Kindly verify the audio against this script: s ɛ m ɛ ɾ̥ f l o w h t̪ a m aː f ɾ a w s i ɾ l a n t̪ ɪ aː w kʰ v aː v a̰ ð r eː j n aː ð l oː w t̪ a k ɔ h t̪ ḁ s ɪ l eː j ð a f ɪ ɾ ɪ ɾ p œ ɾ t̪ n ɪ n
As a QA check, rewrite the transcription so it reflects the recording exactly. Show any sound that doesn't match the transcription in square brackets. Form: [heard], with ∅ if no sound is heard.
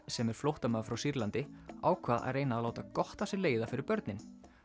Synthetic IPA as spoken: s ɛ m ɛ ɾ̥ f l o w h t̪ a m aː f ɾ a w s i ɾ l a n t̪ ɪ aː w kʰ v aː [ð] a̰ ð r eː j n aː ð l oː w t̪ a k ɔ h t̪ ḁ s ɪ l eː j ð a f ɪ ɾ ɪ ɾ p œ ɾ t̪ n ɪ n